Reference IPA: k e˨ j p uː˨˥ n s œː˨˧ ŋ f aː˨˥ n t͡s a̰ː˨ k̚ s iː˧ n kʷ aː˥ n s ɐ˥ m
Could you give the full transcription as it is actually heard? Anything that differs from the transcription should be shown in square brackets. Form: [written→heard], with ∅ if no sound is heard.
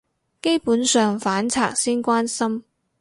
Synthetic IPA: k [e˨→e˥] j p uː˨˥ n s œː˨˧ ŋ f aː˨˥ n [t͡s→t͡sʰ] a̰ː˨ k̚ s [iː˧→iː˥] n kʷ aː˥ n s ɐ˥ m